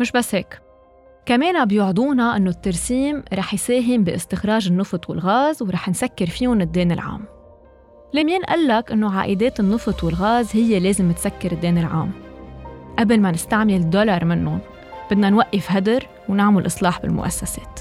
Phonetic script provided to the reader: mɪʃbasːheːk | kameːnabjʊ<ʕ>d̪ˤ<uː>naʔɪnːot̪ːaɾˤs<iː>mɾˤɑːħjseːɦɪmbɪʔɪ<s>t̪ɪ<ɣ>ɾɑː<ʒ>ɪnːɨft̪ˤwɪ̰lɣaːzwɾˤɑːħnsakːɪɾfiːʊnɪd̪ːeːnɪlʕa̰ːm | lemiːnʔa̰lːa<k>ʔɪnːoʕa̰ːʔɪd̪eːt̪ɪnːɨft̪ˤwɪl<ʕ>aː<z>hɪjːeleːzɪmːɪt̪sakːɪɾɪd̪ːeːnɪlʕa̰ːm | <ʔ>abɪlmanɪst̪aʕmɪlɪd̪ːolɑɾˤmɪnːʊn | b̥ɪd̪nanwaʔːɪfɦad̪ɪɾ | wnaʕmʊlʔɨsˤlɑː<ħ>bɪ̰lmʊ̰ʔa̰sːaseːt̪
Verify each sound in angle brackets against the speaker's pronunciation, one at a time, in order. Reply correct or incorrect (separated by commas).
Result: correct, correct, correct, correct, incorrect, correct, correct, incorrect, correct, correct, correct